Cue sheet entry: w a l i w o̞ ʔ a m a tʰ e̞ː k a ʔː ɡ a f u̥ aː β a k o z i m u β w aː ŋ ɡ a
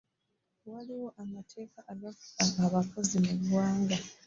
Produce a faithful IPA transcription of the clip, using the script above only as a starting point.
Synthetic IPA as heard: w a l i w o̞ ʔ a m a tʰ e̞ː k a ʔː ɡ a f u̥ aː β a k o z i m u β w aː ŋ ɡ a

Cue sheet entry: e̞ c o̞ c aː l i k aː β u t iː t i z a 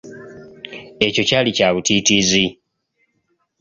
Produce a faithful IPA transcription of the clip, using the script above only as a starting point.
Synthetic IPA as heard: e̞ c o̞ c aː l i c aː β u t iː t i z i

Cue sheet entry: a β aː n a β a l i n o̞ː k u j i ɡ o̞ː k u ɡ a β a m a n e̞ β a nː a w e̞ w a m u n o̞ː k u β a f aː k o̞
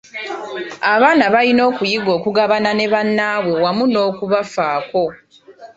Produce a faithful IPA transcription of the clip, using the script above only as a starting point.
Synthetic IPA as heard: a β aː n a β a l i n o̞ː k u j i ɡ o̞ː k u ɡ a β a n a n e̞ β a nː a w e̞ w a m u n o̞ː k u β a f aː k o̞

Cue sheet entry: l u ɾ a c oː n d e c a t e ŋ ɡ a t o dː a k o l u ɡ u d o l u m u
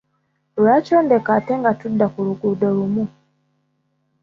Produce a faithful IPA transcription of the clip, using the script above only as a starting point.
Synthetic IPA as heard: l u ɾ a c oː n d e k a t e ŋ ɡ a t u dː a k u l u ɡ u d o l u m u

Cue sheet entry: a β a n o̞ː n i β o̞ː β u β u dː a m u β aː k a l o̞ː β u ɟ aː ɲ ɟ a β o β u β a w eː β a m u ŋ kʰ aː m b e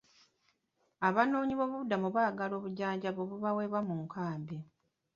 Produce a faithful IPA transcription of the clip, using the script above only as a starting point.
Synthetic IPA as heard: a β a n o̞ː ɲ i β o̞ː β u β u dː a m u β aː ɡ a l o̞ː β u ɟ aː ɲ ɟ a β o β u β a w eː β a m u ŋ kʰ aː m b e

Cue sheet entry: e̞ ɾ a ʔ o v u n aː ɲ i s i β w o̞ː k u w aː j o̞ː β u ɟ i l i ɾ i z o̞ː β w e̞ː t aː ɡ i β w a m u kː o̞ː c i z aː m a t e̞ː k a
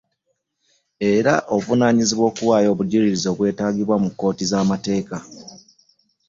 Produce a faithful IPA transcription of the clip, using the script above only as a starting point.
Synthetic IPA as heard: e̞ ɾ a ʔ o v u n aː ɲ i z i β w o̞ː k u w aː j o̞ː β u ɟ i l i ɾ i z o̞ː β w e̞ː t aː ɡ i β w a m u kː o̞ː t i z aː m a t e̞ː k a

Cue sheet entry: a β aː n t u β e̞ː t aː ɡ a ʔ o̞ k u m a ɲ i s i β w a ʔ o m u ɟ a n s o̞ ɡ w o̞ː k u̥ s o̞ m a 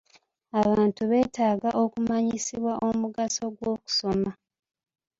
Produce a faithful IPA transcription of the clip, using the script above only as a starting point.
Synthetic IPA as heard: a β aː n t u β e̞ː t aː ɡ a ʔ o̞ k u m a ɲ i s i β w a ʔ o m u ɡ a s o̞ ɡ w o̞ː k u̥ s o̞ m a

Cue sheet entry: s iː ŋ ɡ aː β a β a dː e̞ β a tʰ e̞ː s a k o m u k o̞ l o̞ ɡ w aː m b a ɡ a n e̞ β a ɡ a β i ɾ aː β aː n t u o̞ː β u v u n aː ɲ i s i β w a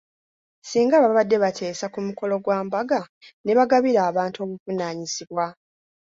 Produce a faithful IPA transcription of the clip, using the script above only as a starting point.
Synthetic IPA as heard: s iː ŋ ɡ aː β a β a dː e̞ β a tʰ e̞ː s a k u m u k o̞ l o̞ ɡ w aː m b a ɡ a n e̞ β a ɡ a β i ɾ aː β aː n t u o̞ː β u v u n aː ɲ i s i β w a

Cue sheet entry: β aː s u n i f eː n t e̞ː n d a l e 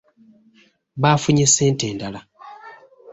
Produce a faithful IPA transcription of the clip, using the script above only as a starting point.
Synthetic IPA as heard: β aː f u ɲ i s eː n t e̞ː n d a l a

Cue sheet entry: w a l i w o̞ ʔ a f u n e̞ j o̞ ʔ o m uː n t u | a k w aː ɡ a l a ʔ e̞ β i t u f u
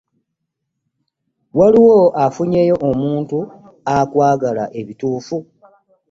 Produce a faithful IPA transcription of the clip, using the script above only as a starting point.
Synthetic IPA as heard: w a l i w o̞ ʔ a f u ɲ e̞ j o̞ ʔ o m uː n t u | a k w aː ɡ a l a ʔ e̞ β i t uː f u

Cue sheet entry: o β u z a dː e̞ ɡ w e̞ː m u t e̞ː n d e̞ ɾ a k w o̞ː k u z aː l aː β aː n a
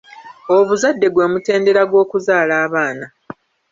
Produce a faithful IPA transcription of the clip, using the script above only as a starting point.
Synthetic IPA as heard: o β u z a dː e̞ ɡ w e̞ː m u t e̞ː n d e̞ ɾ a ɡ w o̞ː k u z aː l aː β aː n a

